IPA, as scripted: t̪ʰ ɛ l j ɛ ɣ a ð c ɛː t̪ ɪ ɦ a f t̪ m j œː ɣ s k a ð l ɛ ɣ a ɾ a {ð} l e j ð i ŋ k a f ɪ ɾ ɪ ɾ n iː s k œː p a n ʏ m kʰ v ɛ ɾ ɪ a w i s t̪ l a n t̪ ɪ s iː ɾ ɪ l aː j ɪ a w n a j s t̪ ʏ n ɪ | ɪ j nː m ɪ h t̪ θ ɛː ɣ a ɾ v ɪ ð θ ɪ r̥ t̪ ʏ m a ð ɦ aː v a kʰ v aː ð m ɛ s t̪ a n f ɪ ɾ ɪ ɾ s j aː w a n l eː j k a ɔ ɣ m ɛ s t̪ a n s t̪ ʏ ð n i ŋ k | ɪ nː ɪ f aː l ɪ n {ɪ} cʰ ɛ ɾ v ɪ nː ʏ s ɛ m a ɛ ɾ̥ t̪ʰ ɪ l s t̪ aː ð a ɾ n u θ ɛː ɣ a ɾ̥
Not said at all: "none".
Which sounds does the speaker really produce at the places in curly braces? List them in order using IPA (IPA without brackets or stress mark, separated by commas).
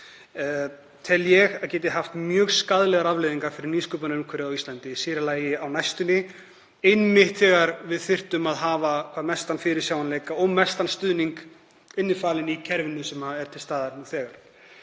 v, i